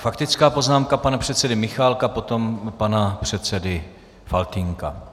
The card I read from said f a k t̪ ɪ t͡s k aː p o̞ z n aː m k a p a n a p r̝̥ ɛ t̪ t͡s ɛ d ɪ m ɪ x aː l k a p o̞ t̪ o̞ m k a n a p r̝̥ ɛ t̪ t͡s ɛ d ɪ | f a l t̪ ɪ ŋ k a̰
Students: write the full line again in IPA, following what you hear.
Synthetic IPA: f a k t̪ ɪ t͡s k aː p o̞ z n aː m k a p a n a p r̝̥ ɛ t̪ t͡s ɛ d ɪ m ɪ x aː l k a p o̞ t̪ o̞ m p a n a p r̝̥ ɛ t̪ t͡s ɛ d ɪ | f a l t̪ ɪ ŋ k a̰